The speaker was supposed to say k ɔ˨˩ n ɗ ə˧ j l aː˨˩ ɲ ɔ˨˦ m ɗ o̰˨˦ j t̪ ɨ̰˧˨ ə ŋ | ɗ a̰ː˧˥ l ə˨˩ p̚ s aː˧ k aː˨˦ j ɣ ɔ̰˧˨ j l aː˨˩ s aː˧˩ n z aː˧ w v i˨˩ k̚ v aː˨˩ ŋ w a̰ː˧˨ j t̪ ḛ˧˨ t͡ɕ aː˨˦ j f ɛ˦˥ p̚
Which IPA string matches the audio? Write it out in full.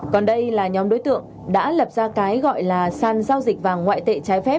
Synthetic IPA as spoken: k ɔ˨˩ n ɗ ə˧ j l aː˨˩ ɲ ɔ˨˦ m ɗ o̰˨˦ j t̪ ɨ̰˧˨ ə ŋ | ɗ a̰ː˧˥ l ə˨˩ p̚ z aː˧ k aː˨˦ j ɣ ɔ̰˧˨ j l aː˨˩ s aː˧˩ n z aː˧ w z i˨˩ k̚ v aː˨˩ ŋ w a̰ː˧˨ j t̪ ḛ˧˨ t͡ɕ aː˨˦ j f ɛ˦˥ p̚